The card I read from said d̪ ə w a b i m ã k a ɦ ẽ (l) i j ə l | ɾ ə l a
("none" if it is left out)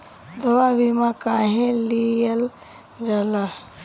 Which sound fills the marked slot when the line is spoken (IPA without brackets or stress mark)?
l